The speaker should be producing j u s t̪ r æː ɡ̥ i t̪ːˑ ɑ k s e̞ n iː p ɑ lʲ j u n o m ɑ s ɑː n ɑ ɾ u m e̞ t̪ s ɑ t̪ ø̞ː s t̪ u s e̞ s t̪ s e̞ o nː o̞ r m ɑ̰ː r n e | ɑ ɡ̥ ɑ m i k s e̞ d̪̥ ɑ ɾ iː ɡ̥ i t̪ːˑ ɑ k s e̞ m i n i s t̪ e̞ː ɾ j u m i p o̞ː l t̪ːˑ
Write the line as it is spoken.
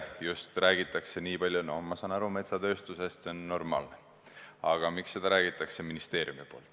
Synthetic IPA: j u s t̪ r æː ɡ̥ i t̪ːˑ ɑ k s e̞ n iː p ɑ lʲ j u n o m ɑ s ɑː n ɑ ɾ u m e̞ t̪ s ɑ t̪ ø̞ː s t̪ u s e̞ s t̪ s e̞ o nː o̞ r m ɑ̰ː l n e | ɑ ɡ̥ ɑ m i k s e̞ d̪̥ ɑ ɾ æː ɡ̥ i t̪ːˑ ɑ k s e̞ m i n i s t̪ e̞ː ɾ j u m i p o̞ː l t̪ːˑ